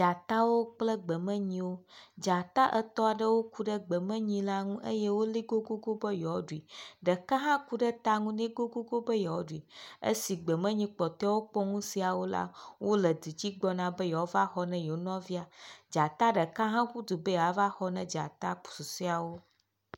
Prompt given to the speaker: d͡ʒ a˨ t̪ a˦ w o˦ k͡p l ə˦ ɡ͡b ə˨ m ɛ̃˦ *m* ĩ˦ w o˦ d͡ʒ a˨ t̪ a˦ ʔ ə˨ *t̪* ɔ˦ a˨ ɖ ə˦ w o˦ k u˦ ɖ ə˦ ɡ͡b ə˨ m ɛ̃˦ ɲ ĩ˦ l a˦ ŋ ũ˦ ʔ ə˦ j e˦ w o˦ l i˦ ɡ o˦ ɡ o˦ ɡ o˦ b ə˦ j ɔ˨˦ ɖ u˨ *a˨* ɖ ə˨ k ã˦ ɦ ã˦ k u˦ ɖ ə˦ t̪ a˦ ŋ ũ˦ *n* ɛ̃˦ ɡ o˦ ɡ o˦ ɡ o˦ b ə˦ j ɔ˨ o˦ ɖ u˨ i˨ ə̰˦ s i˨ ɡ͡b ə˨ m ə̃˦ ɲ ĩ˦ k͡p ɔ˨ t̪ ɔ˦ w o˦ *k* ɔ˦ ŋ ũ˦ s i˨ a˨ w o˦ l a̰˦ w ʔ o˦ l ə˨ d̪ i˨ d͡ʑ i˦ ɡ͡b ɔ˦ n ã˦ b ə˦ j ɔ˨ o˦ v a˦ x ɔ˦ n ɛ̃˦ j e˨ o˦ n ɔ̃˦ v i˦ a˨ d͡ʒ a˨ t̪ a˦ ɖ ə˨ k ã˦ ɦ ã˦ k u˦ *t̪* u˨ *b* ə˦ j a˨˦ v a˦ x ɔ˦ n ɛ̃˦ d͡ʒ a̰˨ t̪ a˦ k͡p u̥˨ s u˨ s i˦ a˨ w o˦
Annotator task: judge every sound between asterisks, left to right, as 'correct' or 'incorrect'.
incorrect: ɲ, correct, incorrect: i˨, correct, incorrect: k͡p, incorrect: d̪, correct

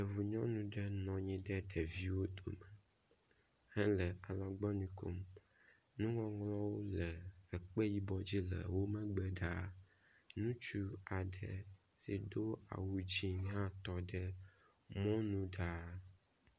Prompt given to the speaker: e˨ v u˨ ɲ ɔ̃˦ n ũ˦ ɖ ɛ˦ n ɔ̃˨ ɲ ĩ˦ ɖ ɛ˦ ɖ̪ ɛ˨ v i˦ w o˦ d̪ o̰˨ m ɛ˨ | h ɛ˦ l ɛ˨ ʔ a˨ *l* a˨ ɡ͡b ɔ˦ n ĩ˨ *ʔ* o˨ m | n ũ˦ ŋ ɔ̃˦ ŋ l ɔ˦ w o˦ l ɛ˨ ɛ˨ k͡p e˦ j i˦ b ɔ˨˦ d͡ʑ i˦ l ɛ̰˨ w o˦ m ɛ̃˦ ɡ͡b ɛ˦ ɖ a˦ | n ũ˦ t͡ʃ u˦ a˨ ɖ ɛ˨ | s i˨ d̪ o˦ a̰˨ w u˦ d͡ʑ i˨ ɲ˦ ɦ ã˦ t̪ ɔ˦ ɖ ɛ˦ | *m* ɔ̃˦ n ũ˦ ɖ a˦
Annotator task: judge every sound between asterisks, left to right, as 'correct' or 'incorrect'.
correct, incorrect: k, correct

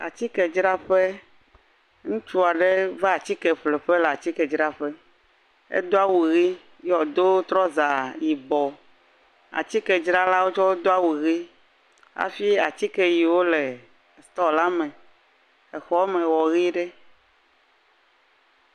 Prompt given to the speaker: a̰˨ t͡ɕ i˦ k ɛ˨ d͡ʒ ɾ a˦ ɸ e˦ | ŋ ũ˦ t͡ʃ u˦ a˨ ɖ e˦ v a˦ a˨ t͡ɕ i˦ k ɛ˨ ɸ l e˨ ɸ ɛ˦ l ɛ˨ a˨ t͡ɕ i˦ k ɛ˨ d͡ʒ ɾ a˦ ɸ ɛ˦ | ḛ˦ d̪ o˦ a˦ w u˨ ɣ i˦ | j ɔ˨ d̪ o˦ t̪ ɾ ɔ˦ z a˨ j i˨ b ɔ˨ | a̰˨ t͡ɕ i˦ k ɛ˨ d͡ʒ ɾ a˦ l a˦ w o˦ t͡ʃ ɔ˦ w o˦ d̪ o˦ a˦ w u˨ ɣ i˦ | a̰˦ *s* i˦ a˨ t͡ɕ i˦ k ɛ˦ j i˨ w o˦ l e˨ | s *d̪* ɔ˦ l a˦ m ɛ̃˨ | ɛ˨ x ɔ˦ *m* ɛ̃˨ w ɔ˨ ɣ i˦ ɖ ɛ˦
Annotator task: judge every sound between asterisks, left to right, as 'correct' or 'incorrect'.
incorrect: f, incorrect: t̪, correct

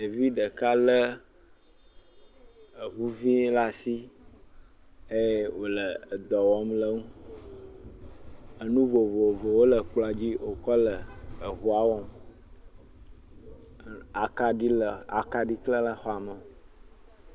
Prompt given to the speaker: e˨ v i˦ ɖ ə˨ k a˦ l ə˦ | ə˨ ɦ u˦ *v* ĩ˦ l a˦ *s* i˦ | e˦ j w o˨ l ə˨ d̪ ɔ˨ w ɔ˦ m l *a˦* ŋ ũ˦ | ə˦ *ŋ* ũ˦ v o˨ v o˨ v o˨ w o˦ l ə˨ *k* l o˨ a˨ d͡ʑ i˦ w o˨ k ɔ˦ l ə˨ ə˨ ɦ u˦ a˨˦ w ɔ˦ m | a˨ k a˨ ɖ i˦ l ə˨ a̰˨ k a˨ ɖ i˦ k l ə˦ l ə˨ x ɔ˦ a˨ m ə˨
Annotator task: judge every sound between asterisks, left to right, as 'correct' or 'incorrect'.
correct, correct, incorrect: ə˦, incorrect: n, incorrect: k͡p

